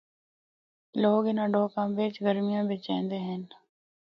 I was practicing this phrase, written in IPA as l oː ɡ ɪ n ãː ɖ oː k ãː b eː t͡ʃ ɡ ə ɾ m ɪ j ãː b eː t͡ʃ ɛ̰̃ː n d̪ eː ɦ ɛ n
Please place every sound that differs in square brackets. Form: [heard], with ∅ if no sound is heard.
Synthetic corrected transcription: l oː ɡ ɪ n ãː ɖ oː k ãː b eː t͡ʃ ɡ ə ɾ m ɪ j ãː b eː t͡ʃ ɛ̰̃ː n d̪ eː ɦ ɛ n